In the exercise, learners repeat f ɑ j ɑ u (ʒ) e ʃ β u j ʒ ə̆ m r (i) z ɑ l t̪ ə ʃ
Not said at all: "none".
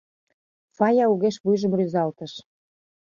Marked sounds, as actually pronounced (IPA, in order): ɣ, y

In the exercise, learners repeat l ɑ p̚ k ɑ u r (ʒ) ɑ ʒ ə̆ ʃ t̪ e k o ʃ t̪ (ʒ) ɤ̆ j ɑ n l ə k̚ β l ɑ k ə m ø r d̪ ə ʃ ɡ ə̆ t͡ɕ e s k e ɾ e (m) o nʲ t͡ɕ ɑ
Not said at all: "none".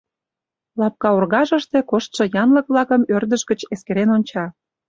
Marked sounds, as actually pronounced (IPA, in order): ɣ, ʃ, n

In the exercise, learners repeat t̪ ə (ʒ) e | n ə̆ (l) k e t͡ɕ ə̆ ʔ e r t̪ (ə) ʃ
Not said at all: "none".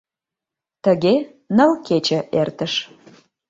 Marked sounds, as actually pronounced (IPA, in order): ɣ, l, ə

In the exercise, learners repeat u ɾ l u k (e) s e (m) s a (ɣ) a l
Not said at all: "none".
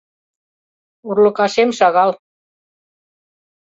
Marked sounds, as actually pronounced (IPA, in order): a, m, ɣ

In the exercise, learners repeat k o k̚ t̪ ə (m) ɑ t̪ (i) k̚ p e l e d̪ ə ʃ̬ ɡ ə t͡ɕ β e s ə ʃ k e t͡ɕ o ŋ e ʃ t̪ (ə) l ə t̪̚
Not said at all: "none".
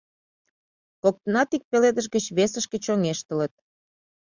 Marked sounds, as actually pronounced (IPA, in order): n, i, ə

